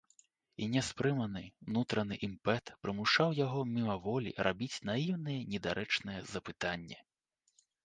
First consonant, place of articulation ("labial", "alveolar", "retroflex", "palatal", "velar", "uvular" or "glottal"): alveolar